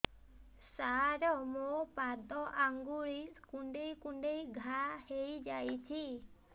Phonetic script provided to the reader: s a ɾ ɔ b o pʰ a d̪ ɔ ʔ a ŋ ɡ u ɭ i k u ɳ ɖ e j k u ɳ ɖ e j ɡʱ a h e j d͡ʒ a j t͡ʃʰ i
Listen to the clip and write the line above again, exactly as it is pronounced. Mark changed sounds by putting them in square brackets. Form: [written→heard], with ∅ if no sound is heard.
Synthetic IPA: s a ɾ ɔ [b→m] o [pʰ→p] a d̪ ɔ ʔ a ŋ ɡ u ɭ i k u ɳ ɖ e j k u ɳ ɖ e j ɡʱ a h e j d͡ʒ a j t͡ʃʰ i